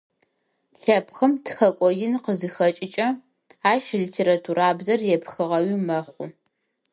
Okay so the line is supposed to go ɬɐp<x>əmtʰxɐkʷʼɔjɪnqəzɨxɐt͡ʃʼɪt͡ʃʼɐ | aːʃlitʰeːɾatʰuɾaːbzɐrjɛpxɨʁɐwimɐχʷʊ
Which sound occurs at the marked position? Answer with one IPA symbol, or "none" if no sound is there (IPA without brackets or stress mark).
x